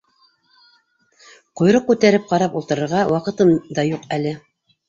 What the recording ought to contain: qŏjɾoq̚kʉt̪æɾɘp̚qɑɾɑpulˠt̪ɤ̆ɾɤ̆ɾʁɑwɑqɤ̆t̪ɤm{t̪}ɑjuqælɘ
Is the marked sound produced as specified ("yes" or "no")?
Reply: no